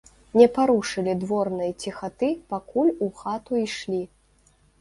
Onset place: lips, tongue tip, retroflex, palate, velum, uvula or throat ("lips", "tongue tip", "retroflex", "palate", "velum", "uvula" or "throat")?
tongue tip